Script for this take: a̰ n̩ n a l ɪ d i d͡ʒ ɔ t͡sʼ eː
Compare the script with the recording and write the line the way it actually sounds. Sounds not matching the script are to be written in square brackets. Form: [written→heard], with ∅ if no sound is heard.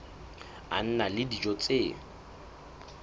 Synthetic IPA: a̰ n̩ n a l ɪ d i d͡ʒ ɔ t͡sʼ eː